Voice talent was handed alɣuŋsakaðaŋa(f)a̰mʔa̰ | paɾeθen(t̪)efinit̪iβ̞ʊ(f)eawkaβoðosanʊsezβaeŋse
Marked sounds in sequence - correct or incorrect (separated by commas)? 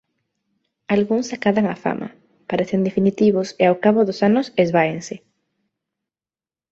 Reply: correct, incorrect, incorrect